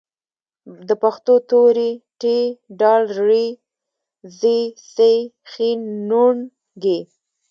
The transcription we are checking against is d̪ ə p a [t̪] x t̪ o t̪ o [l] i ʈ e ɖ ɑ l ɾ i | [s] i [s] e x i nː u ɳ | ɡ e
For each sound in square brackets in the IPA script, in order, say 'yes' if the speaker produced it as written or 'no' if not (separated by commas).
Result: no, no, no, yes